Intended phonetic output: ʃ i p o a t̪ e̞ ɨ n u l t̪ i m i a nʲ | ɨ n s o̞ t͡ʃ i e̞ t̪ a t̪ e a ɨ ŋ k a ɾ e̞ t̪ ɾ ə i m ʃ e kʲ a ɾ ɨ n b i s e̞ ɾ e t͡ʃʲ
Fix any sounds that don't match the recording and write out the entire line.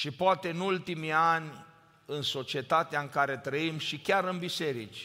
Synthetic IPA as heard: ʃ i p o a t̪ e̞ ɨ n u l t̪ i m i a nʲ | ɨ n s o̞ t͡ʃ i e̞ t̪ a t̪ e a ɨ ŋ k a ɾ e̞ t̪ ɾ ə i m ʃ i kʲ a ɾ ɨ n b i s e̞ ɾ i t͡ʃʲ